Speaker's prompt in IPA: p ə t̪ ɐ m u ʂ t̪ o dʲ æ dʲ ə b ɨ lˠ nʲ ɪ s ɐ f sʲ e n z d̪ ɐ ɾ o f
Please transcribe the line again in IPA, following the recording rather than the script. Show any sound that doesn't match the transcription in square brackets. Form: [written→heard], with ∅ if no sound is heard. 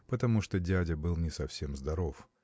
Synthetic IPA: p ə t̪ ɐ m u ʂ t̪ o dʲ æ dʲ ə b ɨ lˠ nʲ ɪ s ɐ f sʲ e [n→m] z d̪ ɐ ɾ o f